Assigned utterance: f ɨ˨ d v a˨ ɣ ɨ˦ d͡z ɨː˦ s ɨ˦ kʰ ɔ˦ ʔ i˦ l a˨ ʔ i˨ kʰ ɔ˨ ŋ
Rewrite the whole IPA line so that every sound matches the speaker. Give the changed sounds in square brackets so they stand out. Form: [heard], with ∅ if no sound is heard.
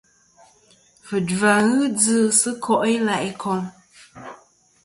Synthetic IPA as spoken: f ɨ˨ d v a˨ ɣ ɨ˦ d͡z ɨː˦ s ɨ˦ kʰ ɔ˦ ʔ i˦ l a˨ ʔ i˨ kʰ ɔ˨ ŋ